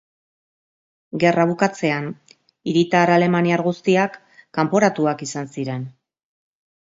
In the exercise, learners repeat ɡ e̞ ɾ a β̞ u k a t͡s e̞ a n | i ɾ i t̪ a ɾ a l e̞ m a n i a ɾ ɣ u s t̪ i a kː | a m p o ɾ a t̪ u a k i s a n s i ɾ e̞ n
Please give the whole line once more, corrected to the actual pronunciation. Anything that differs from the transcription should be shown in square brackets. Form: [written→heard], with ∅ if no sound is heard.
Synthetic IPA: ɡ e̞ [ɾ→r] a β̞ u k a t͡s e̞ a n | i ɾ i t̪ a ɾ a l e̞ m a n i a ɾ ɣ u s t̪ i a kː | a m p o ɾ a t̪ u a k i s a n s i ɾ e̞ n